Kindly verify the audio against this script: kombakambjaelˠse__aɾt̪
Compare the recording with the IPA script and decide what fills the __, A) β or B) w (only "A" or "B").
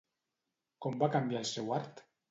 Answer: B